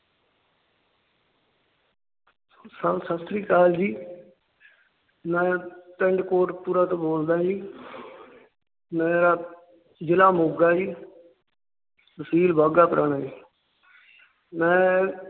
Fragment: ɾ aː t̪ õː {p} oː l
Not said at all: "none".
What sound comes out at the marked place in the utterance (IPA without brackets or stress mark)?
b